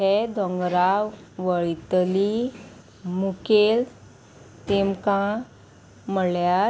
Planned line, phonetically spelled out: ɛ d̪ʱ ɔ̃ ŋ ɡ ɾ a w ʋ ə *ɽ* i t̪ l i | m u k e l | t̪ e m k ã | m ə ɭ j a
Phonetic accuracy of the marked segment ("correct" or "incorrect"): incorrect